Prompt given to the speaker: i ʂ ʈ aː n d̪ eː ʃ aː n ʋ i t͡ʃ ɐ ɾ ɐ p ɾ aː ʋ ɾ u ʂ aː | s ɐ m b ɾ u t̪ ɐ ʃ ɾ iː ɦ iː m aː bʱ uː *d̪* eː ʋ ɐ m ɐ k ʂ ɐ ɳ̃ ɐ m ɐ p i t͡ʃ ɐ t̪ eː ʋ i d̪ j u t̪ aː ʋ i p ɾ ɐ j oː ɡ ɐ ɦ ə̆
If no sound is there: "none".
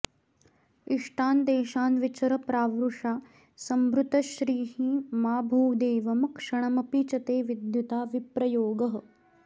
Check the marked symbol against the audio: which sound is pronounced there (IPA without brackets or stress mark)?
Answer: d̪